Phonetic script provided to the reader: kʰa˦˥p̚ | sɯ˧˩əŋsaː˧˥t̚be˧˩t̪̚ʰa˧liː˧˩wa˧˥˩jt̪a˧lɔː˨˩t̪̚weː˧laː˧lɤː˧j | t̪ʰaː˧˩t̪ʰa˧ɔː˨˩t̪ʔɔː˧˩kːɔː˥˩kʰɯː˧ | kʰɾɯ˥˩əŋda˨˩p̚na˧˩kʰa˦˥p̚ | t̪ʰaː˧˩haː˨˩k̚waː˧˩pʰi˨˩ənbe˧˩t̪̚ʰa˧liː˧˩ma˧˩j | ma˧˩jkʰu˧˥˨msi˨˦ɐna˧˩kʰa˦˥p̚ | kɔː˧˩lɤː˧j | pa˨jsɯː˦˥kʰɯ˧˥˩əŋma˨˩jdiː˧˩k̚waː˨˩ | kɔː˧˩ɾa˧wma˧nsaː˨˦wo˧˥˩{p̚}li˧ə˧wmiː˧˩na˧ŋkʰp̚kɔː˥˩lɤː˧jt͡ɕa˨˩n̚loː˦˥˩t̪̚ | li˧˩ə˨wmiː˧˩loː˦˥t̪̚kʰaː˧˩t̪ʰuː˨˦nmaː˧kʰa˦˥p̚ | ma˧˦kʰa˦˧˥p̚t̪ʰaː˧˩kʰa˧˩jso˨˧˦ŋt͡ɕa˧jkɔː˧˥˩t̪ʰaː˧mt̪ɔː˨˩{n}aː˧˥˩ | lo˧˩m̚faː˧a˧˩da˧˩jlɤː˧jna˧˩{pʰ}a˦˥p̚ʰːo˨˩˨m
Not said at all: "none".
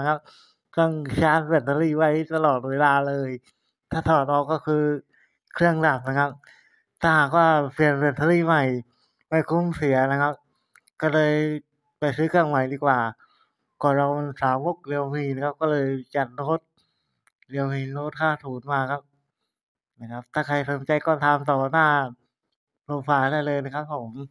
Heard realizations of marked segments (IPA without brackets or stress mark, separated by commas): k̚, n, kʰ